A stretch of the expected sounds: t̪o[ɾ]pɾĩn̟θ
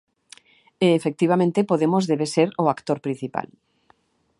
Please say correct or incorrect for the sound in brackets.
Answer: correct